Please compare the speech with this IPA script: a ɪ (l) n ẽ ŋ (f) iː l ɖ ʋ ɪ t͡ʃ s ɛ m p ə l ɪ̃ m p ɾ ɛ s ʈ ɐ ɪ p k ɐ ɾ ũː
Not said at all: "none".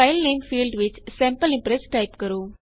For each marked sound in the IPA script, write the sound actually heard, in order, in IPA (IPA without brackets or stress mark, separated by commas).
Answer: l, f